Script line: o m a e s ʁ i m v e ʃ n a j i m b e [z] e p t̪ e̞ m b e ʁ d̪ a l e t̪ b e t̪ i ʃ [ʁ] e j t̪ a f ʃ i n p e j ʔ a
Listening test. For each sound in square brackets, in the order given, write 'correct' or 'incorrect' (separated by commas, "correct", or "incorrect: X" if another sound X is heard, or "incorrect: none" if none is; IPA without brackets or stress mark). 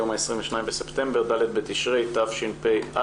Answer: incorrect: s, correct